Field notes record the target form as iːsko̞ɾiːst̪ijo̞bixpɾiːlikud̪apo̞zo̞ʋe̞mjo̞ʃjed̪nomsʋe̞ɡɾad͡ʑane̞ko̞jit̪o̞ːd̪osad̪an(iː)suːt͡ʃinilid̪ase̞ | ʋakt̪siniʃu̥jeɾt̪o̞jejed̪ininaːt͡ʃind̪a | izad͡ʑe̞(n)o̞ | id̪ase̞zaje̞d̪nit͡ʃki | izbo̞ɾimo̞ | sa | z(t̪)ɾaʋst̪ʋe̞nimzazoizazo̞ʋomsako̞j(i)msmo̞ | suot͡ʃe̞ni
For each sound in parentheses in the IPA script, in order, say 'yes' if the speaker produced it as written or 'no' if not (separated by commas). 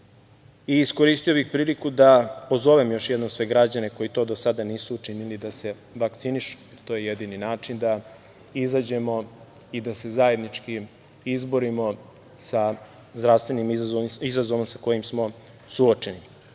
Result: yes, no, no, yes